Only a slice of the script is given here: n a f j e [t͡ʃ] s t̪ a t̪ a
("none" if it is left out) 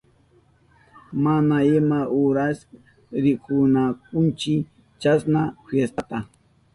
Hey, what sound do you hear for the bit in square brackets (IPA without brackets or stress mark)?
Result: none